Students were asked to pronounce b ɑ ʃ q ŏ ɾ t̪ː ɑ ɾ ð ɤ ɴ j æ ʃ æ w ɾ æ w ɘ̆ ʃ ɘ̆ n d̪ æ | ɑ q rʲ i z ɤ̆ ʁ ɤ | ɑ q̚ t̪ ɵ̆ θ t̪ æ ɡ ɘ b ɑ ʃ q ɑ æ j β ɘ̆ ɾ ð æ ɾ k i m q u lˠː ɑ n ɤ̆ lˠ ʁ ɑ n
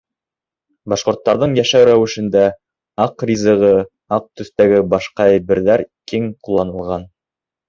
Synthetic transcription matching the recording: b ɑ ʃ q ŏ ɾ t̪ː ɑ ɾ ð ɤ ɴ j æ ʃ æ w ɾ æ w ɘ̆ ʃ ɘ̆ n d̪ æ | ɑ q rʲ i z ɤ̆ ʁ ɤ | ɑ q̚ t̪ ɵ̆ θ t̪ æ ɡ ɘ b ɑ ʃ q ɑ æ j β ɘ̆ ɾ ð æ ɾ k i ŋ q u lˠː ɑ n ɤ̆ lˠ ʁ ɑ n